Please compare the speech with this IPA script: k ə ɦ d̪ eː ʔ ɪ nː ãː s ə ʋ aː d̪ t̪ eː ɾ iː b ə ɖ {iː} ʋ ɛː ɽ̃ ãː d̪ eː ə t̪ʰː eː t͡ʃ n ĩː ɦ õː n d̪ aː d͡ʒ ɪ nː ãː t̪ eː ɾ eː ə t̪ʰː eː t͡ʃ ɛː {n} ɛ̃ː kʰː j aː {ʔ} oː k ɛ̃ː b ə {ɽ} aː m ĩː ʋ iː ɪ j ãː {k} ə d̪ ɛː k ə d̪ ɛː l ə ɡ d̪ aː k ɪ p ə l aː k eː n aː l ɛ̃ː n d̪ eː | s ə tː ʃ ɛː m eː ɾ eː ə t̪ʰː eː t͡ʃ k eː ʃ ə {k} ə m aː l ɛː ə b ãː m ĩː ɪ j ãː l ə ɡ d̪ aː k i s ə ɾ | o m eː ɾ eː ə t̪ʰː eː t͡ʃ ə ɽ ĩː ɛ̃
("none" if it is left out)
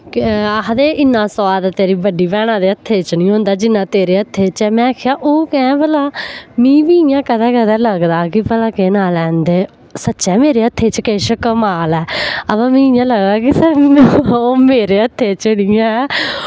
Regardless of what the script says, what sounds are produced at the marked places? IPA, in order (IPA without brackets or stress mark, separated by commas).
iː, m, ʔ, l, k, k